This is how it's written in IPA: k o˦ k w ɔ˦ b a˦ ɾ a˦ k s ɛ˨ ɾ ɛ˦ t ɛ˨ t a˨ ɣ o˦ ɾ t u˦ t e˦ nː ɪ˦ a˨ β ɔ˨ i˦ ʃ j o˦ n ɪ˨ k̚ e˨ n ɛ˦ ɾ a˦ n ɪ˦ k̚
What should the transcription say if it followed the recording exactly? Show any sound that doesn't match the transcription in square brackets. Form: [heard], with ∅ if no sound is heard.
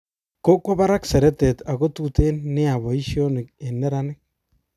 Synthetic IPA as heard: k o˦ k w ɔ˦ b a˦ ɾ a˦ k s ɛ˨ ɾ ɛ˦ t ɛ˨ t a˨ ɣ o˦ [∅] t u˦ t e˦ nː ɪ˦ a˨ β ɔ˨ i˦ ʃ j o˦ n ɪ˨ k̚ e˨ n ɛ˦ ɾ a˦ n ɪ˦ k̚

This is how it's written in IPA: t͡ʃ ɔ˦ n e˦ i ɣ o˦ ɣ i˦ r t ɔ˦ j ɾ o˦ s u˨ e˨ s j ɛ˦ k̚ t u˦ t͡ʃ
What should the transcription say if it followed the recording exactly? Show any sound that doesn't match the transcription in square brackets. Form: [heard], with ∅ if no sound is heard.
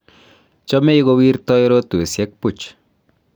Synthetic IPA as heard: t͡ʃ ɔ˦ [m] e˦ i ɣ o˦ [w] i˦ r t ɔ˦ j ɾ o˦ [t] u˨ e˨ s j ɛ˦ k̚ [p] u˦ t͡ʃ

